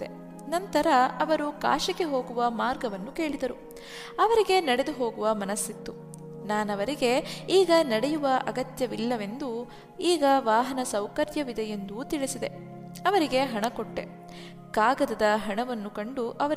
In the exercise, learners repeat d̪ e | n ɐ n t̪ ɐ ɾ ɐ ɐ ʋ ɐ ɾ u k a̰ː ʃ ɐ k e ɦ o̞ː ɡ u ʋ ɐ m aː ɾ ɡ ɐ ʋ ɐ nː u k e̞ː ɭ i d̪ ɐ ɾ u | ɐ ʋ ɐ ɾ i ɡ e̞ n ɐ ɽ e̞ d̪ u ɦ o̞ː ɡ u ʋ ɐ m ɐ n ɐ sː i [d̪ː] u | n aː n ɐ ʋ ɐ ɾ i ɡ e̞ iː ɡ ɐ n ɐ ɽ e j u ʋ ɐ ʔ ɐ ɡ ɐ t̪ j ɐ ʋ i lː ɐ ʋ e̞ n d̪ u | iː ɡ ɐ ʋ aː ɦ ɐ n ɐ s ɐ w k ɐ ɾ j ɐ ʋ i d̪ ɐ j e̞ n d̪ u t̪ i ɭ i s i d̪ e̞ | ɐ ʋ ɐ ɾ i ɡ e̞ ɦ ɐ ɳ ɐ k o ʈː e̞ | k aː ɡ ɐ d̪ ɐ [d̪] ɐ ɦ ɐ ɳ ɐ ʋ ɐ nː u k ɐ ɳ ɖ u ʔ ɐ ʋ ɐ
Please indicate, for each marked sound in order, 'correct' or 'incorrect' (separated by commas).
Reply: incorrect, correct